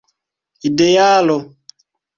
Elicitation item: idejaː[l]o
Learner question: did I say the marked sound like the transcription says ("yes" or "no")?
yes